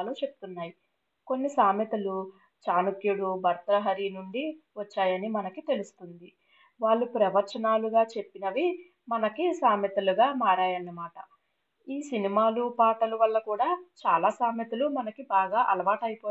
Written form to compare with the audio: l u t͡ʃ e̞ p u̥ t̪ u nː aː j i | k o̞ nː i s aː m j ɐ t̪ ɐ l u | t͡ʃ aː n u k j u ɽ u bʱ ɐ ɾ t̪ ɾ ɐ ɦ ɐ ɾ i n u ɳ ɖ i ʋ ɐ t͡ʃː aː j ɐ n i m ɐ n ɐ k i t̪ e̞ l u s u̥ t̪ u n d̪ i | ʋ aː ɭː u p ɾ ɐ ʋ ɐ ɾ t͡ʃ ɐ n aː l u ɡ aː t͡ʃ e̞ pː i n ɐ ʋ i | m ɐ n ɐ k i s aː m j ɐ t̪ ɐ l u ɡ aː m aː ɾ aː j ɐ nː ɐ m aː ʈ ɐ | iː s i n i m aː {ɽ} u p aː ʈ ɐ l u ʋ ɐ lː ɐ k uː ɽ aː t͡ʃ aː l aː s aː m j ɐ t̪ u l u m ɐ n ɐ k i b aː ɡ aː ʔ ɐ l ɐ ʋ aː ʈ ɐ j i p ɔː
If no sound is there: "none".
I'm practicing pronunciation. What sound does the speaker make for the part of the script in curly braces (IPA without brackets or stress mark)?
l